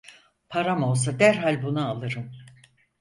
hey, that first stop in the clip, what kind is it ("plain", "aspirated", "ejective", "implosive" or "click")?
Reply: aspirated